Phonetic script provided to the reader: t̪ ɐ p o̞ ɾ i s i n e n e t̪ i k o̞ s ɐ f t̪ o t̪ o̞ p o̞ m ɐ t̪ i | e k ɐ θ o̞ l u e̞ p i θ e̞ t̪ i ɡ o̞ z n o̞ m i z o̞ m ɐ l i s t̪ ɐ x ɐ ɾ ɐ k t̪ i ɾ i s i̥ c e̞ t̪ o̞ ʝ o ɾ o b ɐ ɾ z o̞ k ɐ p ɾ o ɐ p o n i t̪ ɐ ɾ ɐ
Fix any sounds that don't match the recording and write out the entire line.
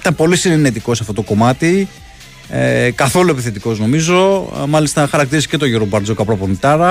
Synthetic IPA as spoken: t̪ ɐ p o̞ l i s i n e n e t̪ i k o̞ s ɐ f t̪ o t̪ o̞ k o̞ m ɐ t̪ i | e k ɐ θ o̞ l u e̞ p i θ e̞ t̪ i k o̞ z n o̞ m i z o̞ m ɐ l i s t̪ ɐ x ɐ ɾ ɐ k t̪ i ɾ i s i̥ c e̞ t̪ o̞ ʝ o ɾ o b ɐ ɾ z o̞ k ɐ p ɾ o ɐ p o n i t̪ ɐ ɾ ɐ